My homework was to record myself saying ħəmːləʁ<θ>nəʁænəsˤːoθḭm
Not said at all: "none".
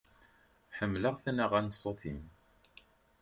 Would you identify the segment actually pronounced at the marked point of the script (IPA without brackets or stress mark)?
θ